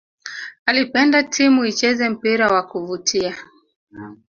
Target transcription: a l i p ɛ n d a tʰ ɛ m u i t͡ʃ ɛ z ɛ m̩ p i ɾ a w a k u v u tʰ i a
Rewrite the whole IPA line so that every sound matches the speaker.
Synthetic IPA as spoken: a l i p ɛ n d a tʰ i m u i t͡ʃ ɛ z ɛ m̩ p i ɾ a w a k u v u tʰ i a

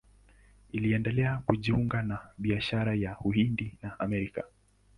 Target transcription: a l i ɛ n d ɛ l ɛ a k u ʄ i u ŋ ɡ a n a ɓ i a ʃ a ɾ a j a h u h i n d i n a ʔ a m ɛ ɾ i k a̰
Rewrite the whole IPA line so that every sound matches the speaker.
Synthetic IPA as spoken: i l i ɛ n d ɛ l ɛ a k u ʄ i u ŋ ɡ a n a ɓ i a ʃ a ɾ a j a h u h i n d i n a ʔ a m ɛ ɾ i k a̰

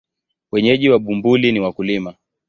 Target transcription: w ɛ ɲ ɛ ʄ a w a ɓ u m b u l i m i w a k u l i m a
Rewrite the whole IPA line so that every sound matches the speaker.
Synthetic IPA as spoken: w ɛ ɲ ɛ ʄ i w a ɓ u m b u l i n i w a k u l i m a

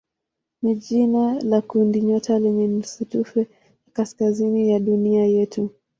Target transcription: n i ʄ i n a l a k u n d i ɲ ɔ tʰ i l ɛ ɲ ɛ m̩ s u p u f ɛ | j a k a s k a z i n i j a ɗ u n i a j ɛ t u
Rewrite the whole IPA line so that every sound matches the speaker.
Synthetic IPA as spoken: n i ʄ i n a l a k u n d i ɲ ɔ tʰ a l ɛ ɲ ɛ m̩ s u t u f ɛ | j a k a s k a z i n i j a ɗ u n i a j ɛ t u

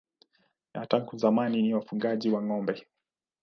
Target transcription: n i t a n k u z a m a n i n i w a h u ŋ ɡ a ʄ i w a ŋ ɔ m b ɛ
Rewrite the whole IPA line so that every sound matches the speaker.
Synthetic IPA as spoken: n a t a ŋ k u z a m a n i n i w a f u ŋ ɡ a ʄ i w a ŋ ɔ m b ɛ

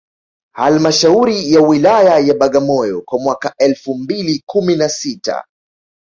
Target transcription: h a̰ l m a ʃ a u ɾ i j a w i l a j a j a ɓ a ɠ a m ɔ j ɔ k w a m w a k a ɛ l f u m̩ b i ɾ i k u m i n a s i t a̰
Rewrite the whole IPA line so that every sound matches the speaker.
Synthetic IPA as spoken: h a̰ l m a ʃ a u ɾ i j a w i l a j a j a ɓ a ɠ a m ɔ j ɔ k w a m w a k a ɛ l f u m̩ b i l i k u m i n a s i t a̰

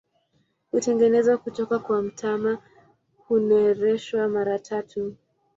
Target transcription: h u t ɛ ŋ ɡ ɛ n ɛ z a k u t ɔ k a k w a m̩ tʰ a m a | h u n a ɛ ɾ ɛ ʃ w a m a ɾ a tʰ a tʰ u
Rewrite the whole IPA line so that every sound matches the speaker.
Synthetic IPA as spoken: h u t ɛ ŋ ɡ ɛ n ɛ z a k u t ɔ k a k w a m̩ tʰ a m a | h u n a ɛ ɾ ɛ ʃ w a m a ɾ a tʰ a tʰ u

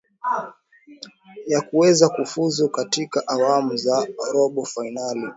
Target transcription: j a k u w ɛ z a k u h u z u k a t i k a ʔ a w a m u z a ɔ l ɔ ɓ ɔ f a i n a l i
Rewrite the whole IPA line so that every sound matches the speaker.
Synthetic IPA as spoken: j a k u w ɛ z a k u f u z u k a t i k a ʔ a w a m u z a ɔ ɾ ɔ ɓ ɔ f a i n a l i

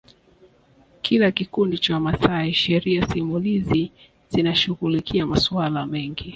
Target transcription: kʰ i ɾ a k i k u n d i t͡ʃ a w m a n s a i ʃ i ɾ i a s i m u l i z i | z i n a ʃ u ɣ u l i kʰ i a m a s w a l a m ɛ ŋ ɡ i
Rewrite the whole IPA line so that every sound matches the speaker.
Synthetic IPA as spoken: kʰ i l a k i k u n d i t͡ʃ a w m a s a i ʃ ɛ ɾ i a s i m u l i z i | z i n a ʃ u ɣ u l i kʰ i a m a s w a l a m ɛ ŋ ɡ i

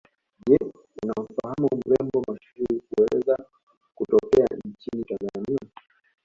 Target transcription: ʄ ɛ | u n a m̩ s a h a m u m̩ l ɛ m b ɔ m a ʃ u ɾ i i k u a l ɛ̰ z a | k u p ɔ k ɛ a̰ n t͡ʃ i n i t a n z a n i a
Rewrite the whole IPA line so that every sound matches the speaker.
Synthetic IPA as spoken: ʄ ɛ | u n a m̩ f a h a m u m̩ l ɛ m b ɔ m a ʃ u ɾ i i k u ɛ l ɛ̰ z a | k u t ɔ k ɛ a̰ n t͡ʃ i n i t a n z a n i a

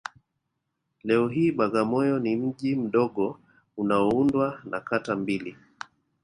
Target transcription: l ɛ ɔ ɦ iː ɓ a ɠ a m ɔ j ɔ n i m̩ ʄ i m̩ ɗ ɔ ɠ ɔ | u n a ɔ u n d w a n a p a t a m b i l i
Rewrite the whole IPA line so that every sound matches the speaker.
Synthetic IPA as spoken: l ɛ ɔ ɦ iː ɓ a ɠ a m ɔ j ɔ n i m̩ ʄ i m̩ ɗ ɔ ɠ ɔ | u n a ɔ u n d w a n a k a t a m b i l i

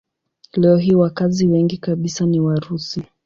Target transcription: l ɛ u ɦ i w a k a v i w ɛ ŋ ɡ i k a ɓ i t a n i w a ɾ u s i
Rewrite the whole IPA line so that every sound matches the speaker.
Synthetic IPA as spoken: l ɛ ɔ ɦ i w a k a z i w ɛ ŋ ɡ i k a ɓ i s a n i w a ɾ u s i

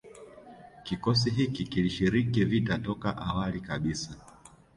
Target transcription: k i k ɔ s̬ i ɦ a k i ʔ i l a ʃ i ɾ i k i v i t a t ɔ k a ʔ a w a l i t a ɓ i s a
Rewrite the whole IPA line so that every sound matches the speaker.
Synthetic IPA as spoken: k i k ɔ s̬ i ɦ i k i k i l i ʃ i ɾ i k i v i t a t ɔ k a ʔ a w a l i k a ɓ i s a

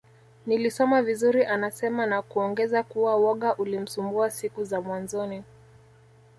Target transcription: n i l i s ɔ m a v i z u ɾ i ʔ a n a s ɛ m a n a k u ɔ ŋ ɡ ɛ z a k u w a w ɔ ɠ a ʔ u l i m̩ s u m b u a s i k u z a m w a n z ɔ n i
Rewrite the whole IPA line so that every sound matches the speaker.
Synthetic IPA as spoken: n i l i s ɔ m a v i z u ɾ i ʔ a n a s ɛ m a n a k u ɔ ŋ ɡ ɛ z a k u w a w ɔ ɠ a ʔ u l i m̩ s u m b u a s i k u z a m w a n z ɔ n i

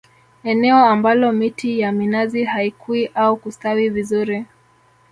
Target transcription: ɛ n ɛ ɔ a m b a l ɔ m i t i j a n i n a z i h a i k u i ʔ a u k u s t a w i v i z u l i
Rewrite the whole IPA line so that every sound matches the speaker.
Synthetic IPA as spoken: ɛ n ɛ ɔ a m b a l ɔ m i t i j a m i n a z i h a i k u i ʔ a u k u s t a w i v i z u ɾ i

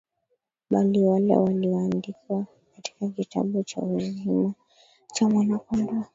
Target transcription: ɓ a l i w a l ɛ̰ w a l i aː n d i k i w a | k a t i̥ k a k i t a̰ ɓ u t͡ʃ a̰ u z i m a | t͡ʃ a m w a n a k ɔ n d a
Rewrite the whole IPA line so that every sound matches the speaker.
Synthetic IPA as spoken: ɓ a l i w a l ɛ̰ w a l i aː n d i k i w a | k a t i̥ k a k i t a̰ ɓ u t͡ʃ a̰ u z i m a | t͡ʃ a m w a n a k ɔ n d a

